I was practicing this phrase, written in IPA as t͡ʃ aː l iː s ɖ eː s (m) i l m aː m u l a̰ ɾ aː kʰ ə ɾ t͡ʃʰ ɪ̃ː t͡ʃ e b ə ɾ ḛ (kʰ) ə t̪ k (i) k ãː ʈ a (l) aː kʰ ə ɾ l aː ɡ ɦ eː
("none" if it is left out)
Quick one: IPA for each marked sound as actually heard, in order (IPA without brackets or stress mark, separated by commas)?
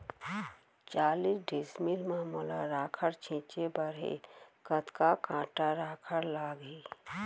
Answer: m, k, a, ɾ